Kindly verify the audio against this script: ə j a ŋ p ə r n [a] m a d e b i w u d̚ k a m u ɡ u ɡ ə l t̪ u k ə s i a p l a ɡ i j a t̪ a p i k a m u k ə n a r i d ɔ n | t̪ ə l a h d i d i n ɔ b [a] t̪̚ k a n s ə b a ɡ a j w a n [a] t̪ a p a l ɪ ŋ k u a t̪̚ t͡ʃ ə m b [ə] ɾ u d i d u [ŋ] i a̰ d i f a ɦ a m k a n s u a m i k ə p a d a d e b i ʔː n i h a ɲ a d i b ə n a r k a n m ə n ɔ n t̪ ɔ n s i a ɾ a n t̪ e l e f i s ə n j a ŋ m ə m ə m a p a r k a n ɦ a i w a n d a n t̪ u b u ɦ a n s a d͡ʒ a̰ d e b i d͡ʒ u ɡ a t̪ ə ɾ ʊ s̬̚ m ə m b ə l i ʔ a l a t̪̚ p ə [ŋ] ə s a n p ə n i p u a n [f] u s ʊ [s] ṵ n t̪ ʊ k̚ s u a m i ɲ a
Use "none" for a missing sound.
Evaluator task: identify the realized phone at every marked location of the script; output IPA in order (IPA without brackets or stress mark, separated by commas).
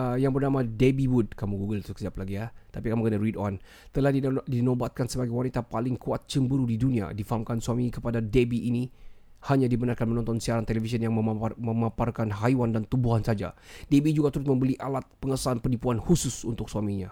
a, a, i, ə, n, ŋ, h, s